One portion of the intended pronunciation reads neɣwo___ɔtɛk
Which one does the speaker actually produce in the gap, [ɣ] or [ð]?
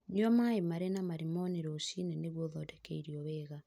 ð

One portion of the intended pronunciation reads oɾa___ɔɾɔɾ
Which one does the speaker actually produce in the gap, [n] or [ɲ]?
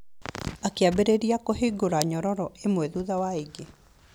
ɲ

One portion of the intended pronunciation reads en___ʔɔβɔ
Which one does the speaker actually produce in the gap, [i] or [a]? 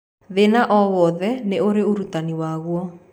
a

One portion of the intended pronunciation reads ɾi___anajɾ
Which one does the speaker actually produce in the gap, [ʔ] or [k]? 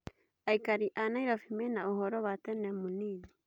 ʔ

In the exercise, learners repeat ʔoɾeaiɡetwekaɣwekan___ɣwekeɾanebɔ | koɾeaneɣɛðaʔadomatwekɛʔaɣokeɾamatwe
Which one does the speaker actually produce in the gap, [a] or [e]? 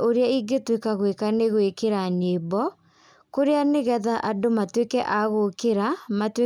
e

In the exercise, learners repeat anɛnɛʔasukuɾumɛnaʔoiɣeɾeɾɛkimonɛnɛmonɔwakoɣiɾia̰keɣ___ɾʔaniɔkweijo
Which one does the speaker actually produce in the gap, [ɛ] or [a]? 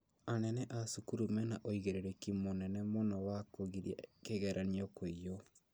ɛ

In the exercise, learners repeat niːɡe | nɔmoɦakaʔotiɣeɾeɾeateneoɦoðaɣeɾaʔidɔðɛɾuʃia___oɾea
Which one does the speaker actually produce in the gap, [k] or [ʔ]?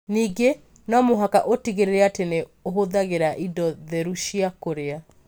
k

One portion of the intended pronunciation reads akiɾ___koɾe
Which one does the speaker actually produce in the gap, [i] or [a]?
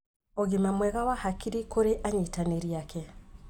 i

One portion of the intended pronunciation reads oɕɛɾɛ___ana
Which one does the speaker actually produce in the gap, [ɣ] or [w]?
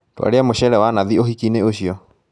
w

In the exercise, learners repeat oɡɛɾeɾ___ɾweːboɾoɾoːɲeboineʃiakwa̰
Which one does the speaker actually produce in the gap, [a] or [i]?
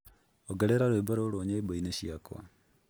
a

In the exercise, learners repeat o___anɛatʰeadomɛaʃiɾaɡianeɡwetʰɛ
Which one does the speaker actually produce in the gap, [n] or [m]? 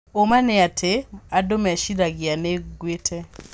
m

